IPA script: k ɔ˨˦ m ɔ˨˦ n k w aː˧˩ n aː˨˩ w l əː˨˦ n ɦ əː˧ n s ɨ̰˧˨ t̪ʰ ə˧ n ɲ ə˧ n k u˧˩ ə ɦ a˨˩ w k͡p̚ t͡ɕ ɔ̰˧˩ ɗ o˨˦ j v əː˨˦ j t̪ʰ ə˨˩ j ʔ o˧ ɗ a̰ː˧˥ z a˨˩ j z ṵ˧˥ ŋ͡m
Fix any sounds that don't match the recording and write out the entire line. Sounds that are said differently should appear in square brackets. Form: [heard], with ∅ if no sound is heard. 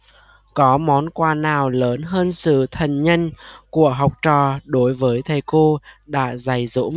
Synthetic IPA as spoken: k ɔ˨˦ m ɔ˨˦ n k w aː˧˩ n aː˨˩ w l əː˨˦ n ɦ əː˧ n s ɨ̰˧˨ t̪ʰ [ə˨˩] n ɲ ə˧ n k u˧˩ ə ɦ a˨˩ w k͡p̚ t͡ɕ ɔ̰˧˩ ɗ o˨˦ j v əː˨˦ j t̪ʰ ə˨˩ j [k] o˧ ɗ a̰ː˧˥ z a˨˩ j z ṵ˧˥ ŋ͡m